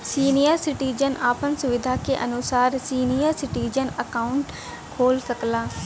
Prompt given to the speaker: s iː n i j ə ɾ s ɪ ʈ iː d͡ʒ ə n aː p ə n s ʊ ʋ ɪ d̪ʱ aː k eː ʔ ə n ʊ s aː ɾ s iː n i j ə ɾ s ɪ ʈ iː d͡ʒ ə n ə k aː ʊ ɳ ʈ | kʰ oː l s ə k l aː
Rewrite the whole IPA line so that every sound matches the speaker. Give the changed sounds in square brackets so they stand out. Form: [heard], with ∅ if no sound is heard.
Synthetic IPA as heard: s iː n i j ə ɾ s ɪ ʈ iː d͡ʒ ə n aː p ə n s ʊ ʋ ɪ d̪ʱ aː k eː ʔ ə n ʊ s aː ɾ s iː n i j ə ɾ s ɪ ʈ iː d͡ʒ ə n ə k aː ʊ ɳ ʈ | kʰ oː l s ə k l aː